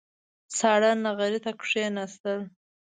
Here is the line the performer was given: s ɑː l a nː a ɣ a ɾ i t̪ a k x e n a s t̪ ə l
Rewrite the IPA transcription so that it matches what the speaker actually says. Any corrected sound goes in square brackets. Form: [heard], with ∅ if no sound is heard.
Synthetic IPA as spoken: s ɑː [ɽ] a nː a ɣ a ɾ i t̪ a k [ʂ] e n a s t̪ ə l